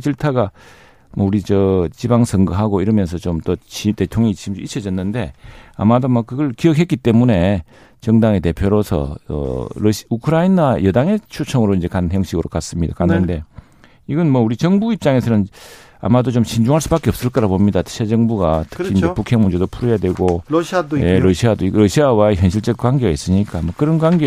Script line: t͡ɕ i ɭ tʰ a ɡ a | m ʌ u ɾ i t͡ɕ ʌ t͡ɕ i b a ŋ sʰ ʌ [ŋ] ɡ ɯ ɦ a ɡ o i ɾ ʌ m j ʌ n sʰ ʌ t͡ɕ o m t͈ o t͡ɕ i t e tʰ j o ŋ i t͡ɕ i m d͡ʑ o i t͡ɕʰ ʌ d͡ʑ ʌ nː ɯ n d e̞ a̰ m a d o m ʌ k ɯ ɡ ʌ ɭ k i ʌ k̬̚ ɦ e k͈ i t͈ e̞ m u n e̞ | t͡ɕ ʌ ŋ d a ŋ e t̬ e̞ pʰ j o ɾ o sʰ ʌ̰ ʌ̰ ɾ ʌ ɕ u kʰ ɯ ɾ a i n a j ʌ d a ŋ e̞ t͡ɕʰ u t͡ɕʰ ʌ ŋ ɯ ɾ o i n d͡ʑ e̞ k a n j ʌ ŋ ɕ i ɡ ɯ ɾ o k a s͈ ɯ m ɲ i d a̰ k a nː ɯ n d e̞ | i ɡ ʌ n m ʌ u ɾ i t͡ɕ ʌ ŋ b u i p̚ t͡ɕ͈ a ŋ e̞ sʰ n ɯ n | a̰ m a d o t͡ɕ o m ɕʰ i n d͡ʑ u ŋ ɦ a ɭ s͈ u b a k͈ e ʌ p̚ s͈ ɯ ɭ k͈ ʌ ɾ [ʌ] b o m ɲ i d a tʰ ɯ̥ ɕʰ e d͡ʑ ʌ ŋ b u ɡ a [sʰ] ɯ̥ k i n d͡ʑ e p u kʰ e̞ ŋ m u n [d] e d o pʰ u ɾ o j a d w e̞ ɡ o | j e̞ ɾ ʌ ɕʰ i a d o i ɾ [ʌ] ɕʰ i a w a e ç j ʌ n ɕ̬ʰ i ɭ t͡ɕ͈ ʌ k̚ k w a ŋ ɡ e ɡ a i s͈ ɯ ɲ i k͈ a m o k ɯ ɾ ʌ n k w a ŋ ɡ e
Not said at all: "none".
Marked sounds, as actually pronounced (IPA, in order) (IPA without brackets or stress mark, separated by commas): ŋ, a, tʰ, d͡ʑ, ʌ